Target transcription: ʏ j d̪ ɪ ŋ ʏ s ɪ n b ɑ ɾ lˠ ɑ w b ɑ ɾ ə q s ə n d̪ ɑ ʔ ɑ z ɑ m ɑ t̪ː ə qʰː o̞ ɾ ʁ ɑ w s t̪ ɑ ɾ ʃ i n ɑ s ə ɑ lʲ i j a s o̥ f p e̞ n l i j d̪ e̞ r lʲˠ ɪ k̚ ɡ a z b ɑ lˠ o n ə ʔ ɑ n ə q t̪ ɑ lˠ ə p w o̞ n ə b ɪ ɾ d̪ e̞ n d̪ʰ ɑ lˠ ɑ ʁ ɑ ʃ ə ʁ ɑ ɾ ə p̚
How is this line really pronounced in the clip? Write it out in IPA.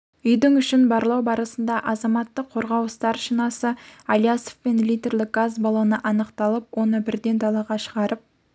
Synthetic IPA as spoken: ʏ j d̪ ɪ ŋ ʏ ʃ ɪ n b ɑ ɾ lˠ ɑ w b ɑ ɾ ə s ə n d̪ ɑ ʔ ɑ z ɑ m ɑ t̪ː ə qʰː o̞ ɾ ʁ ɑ w s t̪ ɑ ɾ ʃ i n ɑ s ə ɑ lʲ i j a s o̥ f p e̞ n l i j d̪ e̞ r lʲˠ ɪ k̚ ɡ a z b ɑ lˠ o n ə ʔ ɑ n ə q t̪ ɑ lˠ ə p w o̞ n ə b ɪ ɾ d̪ e̞ n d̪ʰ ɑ lˠ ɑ ʁ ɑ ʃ ə ʁ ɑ ɾ ə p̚